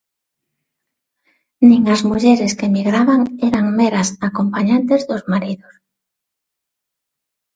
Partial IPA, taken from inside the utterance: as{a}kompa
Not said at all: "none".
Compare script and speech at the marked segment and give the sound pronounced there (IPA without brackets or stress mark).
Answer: a